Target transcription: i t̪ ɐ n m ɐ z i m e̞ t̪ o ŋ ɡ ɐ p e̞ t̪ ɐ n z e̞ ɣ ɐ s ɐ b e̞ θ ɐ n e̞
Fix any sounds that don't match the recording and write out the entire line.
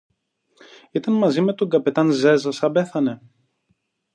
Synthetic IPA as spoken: i t̪ ɐ n m ɐ z i m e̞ t̪ o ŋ ɡ ɐ p e̞ t̪ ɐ n z e̞ z ɐ s ɐ b e̞ θ ɐ n e̞